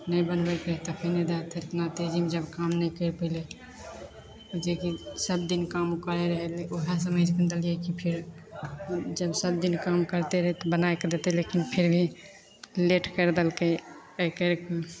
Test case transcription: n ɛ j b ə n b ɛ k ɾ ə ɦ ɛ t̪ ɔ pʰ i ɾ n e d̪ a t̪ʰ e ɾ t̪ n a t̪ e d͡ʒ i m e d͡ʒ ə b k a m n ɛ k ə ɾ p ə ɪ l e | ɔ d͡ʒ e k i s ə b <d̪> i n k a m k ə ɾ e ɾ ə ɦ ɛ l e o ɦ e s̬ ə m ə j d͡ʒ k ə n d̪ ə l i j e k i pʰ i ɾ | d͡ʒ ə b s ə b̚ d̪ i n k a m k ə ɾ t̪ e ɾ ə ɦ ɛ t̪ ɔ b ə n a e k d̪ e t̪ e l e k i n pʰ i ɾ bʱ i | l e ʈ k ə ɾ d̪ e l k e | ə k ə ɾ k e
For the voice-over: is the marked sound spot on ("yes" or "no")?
yes